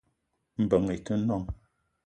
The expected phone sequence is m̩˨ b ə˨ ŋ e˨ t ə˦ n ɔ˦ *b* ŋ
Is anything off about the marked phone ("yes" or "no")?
yes